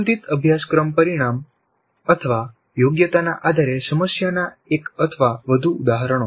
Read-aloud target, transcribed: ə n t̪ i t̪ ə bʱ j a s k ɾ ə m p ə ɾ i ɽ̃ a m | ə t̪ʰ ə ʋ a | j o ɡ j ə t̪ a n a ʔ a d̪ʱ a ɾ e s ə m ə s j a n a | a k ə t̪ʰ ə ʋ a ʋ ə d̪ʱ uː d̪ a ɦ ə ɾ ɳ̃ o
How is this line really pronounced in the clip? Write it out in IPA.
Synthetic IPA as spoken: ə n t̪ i t̪ ə bʱ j a s k ɾ ə m p ə ɾ i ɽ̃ a m | ə t̪ʰ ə ʋ a | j o ɡ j ə t̪ a n a ʔ a d̪ʱ a ɾ e s ə m ə s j a n a | e k ə t̪ʰ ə ʋ a ʋ ə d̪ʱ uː d̪ a ɦ ə ɾ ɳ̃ o